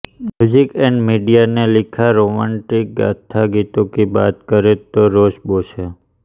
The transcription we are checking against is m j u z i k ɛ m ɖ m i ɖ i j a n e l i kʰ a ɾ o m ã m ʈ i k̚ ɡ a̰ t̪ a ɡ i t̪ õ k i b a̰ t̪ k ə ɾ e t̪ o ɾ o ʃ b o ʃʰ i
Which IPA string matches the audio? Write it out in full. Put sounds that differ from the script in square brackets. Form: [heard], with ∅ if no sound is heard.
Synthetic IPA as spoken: m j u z i k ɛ [ɳ] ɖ m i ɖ i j a n e l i kʰ a ɾ o m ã [ɳ] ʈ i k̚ ɡ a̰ [t̪ʰ] a ɡ i t̪ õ k i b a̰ t̪ k ə ɾ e t̪ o ɾ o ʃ b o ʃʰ [e]